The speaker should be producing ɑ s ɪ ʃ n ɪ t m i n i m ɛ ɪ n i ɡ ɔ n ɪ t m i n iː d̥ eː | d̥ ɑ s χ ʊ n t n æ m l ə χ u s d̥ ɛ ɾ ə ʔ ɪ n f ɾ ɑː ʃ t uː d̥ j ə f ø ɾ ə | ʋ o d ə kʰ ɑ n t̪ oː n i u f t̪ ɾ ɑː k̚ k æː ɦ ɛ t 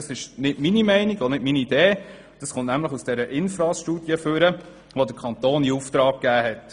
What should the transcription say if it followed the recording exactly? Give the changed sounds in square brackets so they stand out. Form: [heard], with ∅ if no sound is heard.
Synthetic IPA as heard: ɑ s ɪ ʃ n ɪ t m i n i m ɛ ɪ n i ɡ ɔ n ɪ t m i n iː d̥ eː | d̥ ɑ s χ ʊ n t n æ m l ə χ u s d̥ ɛ ɾ ə ʔ ɪ n f ɾ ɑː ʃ t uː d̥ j ə f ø ɾ ə | ʋ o d ə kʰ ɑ n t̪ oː n i u f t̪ ɾ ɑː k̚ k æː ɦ ɛ t